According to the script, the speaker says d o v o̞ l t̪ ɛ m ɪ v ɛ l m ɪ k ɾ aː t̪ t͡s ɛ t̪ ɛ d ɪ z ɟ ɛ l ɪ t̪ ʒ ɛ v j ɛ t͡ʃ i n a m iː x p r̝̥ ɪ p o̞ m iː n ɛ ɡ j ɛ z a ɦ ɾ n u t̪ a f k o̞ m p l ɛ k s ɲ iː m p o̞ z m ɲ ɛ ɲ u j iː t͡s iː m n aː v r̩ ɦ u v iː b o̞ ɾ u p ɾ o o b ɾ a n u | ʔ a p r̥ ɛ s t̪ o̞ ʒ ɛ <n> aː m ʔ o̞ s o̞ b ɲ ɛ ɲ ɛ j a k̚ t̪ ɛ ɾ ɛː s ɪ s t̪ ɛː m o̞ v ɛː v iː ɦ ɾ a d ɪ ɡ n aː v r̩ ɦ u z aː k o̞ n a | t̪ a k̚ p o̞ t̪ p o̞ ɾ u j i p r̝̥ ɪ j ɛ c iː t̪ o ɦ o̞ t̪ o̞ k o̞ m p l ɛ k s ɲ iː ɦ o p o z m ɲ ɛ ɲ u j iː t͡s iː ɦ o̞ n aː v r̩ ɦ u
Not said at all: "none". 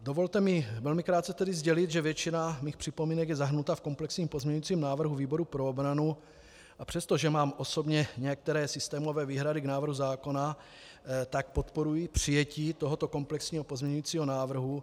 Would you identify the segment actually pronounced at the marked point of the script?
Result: m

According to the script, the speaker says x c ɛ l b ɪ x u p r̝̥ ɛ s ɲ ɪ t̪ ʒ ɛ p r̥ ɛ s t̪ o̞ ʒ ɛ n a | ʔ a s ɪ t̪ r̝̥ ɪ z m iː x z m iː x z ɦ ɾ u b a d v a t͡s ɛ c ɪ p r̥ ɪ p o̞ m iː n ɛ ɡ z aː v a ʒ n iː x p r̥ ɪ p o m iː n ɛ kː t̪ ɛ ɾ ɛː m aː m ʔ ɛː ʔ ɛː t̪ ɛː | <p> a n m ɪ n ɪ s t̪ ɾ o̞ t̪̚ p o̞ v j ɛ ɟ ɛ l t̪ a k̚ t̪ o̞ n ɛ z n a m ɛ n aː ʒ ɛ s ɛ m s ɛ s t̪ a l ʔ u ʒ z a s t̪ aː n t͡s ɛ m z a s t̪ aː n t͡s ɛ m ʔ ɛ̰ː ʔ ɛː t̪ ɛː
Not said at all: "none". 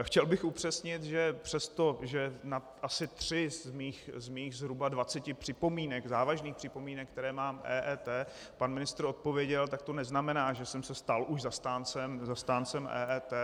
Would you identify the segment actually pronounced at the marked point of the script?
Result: p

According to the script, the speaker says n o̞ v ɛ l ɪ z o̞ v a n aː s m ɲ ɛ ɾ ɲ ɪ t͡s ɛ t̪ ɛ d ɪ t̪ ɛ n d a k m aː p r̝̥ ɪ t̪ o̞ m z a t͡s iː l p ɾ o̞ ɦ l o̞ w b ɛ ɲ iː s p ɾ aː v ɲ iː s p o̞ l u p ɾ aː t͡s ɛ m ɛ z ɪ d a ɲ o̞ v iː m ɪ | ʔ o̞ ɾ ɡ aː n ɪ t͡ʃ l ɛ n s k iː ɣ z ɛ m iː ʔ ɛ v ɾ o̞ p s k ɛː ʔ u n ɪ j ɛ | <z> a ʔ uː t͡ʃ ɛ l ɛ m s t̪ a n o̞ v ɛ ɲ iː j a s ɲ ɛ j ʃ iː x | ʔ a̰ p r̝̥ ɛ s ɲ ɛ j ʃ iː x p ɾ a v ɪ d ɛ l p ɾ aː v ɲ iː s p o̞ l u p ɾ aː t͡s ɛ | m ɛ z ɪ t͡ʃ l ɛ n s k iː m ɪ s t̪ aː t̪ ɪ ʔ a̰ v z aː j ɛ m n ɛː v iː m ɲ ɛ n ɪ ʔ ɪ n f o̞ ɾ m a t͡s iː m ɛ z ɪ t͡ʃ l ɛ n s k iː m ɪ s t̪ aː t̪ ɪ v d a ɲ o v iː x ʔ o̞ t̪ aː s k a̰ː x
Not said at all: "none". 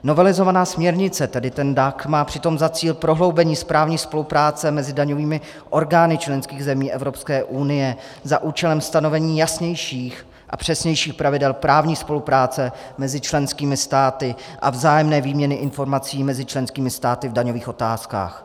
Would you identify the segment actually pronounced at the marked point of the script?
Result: z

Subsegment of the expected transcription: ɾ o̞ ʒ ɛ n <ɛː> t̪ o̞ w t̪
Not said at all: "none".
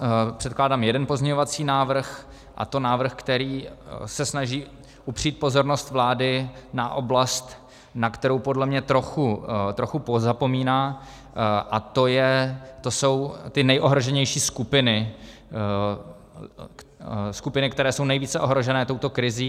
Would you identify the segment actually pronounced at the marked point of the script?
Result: ɛː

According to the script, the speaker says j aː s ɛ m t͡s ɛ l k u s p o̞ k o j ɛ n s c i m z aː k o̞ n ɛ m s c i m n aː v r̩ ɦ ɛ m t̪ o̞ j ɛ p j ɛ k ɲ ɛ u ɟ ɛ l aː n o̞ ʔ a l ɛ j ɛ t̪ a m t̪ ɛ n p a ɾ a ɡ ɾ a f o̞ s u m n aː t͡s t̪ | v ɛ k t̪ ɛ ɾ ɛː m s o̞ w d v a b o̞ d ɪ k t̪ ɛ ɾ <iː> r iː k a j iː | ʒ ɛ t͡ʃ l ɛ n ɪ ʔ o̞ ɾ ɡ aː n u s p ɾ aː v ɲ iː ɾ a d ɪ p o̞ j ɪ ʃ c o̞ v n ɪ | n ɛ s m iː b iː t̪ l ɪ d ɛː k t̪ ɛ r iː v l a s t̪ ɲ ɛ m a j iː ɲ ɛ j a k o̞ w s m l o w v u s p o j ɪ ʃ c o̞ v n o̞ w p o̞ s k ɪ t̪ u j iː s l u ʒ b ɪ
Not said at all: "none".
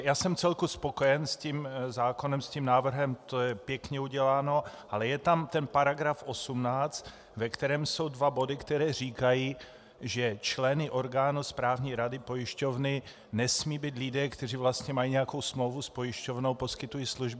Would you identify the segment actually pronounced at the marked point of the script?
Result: ɛː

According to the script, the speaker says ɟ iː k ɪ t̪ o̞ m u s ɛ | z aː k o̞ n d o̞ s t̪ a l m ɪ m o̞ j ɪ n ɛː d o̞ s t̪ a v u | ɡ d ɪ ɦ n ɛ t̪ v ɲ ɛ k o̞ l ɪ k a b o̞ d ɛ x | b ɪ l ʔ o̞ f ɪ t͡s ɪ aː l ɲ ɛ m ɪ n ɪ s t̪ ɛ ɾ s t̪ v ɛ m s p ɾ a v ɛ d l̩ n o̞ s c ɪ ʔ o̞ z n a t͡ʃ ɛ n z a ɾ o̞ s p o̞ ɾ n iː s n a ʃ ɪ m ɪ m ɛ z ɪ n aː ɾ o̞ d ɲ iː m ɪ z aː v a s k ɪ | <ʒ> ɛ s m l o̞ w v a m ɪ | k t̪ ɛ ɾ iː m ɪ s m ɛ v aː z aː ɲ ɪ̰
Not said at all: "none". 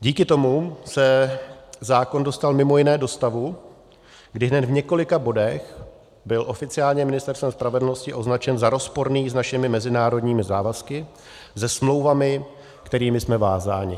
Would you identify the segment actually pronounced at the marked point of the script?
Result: z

